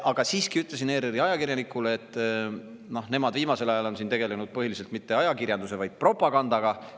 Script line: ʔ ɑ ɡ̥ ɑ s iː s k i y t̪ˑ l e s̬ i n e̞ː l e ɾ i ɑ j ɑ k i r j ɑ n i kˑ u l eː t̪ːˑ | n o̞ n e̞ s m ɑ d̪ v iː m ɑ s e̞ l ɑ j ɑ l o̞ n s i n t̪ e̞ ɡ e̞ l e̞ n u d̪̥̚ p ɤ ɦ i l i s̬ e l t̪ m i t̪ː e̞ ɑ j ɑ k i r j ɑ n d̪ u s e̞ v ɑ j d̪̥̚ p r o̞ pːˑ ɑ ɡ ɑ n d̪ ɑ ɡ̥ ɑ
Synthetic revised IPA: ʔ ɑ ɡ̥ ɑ s iː s k i y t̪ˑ l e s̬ i n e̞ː ɾ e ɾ i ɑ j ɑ k i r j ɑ n i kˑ u l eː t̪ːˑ | n o̞ n e̞ m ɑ d̪ v iː m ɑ s e̞ l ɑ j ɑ l o̞ n s i n t̪ e̞ ɡ e̞ l e̞ n u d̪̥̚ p ɤ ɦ i l i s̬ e l t̪ m i t̪ː e̞ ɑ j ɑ k i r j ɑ n d̪ u s e̞ v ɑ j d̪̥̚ p r o̞ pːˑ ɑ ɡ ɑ n d̪ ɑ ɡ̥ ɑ